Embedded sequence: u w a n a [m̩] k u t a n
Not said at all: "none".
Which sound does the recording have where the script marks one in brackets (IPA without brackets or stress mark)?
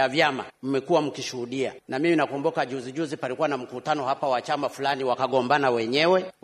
m̩